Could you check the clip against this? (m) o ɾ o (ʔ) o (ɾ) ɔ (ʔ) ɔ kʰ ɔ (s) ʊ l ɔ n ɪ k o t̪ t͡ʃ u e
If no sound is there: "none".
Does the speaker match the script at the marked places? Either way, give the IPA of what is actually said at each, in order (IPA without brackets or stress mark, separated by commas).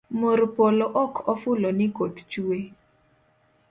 m, p, l, ʔ, f